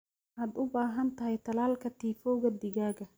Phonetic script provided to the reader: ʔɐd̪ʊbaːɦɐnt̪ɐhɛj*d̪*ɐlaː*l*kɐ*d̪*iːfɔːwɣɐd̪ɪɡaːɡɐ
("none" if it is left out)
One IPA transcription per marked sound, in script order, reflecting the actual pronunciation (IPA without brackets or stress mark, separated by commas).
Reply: t̪, l, t̪